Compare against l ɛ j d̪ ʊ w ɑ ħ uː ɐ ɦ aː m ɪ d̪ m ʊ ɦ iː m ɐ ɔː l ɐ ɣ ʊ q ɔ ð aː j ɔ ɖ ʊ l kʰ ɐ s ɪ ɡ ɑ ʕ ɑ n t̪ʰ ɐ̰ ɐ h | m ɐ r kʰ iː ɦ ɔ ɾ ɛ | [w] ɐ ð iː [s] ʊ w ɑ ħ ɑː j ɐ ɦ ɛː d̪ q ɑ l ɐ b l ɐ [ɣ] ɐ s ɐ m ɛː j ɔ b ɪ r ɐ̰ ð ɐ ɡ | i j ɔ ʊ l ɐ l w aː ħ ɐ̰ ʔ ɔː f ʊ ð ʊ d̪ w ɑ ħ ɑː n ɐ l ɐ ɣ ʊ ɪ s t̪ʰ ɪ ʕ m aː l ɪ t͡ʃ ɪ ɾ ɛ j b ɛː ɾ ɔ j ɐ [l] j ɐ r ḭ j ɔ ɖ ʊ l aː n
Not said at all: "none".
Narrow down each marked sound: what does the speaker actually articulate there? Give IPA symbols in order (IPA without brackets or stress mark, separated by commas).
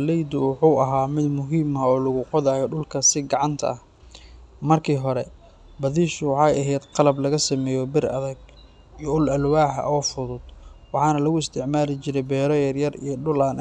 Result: b, ʃ, ɣ, r